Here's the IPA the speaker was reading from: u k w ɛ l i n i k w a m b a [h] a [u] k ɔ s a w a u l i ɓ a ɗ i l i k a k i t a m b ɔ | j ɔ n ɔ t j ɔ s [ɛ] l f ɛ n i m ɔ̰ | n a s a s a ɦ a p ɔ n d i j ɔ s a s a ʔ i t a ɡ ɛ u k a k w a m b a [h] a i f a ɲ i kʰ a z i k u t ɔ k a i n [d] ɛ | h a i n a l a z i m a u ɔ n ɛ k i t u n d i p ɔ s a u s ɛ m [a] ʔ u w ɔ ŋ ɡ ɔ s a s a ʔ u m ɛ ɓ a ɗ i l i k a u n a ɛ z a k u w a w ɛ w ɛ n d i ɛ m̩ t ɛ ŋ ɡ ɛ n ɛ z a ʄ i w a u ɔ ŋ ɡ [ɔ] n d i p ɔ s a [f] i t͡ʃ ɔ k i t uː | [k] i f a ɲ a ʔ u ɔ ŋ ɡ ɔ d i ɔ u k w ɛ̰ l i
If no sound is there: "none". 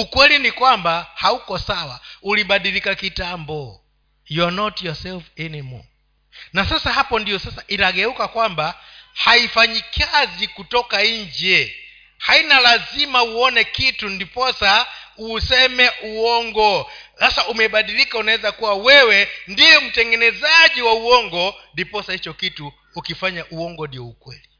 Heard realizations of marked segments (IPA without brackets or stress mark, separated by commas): h, u, ɛ, h, d͡ʒ, ɛ, ɔ, h, k